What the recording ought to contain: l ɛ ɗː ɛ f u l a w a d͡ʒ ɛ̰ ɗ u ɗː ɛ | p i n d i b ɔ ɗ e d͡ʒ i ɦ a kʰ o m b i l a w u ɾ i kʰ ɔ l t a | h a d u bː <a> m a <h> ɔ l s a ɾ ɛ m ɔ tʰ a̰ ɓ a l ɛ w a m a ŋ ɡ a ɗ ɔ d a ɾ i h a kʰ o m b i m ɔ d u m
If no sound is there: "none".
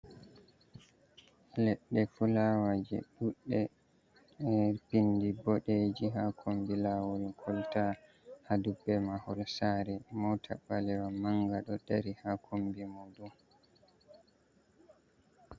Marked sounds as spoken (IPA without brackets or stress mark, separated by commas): ɛ, h